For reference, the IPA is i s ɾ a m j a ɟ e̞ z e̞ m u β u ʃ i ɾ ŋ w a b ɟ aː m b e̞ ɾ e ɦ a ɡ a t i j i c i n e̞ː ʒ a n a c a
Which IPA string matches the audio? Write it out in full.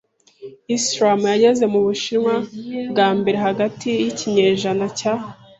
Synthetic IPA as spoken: i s ɾ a m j a ɟ e̞ z e̞ m u β u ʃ i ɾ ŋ w a b ɡ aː m b e̞ ɾ e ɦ a ɡ a t i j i c i ɲ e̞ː ʒ a n a c a